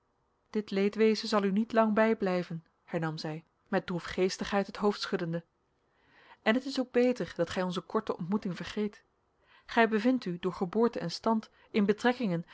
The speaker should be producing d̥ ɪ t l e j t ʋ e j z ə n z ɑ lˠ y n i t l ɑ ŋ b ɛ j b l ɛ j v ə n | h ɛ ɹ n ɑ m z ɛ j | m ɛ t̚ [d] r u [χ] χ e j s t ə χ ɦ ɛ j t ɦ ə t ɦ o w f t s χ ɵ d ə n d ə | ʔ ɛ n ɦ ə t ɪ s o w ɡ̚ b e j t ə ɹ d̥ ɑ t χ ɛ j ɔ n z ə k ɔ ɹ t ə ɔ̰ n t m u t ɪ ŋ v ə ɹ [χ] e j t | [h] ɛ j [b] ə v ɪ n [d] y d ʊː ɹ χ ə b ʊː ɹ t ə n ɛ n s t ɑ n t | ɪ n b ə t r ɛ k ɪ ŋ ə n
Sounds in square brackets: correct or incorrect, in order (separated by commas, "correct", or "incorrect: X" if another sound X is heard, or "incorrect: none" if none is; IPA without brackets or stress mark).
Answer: correct, incorrect: f, correct, incorrect: χ, correct, incorrect: t